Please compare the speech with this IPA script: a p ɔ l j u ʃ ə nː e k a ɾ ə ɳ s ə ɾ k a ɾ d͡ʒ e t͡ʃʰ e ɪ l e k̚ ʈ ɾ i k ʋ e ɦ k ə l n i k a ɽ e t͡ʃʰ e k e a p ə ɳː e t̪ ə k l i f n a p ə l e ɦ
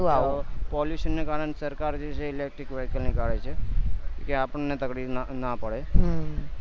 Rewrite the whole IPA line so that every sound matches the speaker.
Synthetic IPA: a p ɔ l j u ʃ ə nː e k a ɾ ə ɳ s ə ɾ k a ɾ d͡ʒ e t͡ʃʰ e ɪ l e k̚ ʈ ɾ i k ʋ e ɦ k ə l n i k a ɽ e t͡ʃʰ e k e a p ə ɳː e t̪ ə k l i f n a p ə ɽ e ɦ